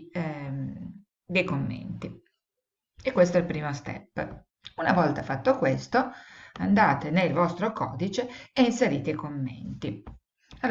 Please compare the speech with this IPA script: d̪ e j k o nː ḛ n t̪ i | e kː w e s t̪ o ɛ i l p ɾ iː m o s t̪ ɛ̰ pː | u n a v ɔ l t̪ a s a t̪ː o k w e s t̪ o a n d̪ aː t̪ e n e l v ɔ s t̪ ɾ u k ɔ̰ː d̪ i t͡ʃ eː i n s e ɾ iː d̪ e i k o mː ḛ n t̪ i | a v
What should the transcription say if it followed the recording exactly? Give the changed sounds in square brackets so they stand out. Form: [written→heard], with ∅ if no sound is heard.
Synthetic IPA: d̪ e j k o [nː→mː] ḛ n t̪ i | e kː w e s t̪ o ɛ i l p ɾ iː m o s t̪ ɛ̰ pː | u n a v ɔ l t̪ a [s→f] a t̪ː o k w e s t̪ o a n d̪ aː t̪ e n e l v ɔ s t̪ ɾ [u→o] k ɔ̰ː d̪ i t͡ʃ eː i n s e ɾ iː [d̪→t̪] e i k o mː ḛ n t̪ i | a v